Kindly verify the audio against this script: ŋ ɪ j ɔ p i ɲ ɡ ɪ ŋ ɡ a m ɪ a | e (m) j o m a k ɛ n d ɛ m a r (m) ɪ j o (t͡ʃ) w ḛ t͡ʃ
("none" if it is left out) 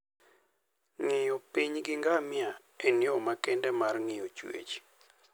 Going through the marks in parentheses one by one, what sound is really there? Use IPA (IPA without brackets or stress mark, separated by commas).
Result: n, ŋ, t͡ʃ